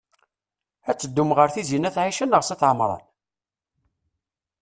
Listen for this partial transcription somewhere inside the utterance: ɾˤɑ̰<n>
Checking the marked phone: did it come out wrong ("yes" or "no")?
no